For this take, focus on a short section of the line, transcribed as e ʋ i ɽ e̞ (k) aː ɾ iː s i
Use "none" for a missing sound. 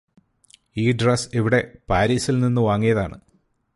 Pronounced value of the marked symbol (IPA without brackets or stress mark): p